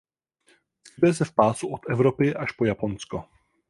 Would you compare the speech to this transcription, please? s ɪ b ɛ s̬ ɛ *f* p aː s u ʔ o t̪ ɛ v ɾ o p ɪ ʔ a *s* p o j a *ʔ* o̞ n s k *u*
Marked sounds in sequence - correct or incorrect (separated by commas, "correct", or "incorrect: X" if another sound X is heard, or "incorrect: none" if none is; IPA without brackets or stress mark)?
correct, incorrect: ʃ, incorrect: p, incorrect: o